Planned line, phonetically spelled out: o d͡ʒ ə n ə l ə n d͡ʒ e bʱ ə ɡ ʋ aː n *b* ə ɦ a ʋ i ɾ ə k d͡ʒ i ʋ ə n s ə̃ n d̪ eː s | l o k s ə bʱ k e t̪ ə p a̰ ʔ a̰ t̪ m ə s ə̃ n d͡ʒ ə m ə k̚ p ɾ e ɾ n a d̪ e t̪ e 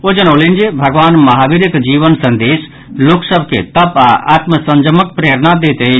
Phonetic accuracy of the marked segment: incorrect: m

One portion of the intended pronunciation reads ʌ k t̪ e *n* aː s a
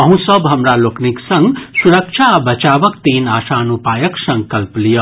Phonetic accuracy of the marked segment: correct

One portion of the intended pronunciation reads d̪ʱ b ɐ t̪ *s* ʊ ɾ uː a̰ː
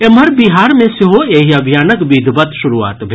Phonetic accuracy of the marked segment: incorrect: ʃ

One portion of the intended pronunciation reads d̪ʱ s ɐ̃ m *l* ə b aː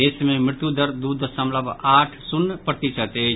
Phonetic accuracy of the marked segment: correct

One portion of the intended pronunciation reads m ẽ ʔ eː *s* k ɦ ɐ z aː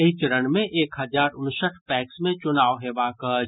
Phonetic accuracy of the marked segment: incorrect: none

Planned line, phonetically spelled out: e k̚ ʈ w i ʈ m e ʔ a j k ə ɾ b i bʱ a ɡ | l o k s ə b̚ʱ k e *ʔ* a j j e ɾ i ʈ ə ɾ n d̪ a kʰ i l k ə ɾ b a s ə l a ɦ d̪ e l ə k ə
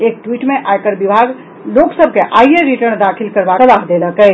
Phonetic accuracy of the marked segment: correct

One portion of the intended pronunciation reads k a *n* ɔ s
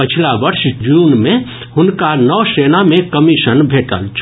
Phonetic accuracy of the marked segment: correct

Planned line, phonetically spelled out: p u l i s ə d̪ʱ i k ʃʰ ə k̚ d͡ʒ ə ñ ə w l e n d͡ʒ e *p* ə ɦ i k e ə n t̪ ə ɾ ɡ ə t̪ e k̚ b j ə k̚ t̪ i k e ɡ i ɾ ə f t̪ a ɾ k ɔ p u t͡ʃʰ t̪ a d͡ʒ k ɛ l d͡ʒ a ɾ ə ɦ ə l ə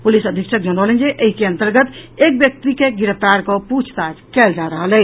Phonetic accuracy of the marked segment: incorrect: ʔ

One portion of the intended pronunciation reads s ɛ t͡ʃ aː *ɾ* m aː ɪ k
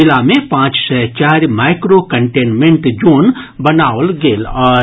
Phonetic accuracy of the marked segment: correct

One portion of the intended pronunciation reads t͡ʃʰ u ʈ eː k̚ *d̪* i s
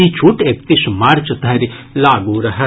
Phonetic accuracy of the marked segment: incorrect: t̪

